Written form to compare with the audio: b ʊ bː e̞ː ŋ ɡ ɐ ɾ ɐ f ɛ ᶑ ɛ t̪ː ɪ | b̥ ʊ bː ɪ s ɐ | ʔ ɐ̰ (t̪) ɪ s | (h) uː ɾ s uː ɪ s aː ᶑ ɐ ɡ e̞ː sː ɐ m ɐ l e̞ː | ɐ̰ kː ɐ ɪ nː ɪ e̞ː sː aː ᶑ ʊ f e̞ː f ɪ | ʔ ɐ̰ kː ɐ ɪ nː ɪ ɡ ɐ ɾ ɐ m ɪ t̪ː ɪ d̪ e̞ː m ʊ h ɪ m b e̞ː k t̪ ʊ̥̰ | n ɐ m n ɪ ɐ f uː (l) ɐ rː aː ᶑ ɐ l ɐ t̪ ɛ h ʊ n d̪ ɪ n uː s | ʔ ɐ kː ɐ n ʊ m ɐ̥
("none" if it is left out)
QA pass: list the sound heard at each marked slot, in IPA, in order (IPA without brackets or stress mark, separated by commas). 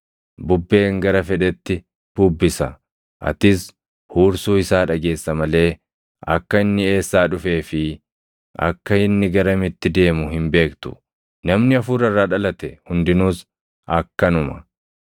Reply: t̪, h, ɾ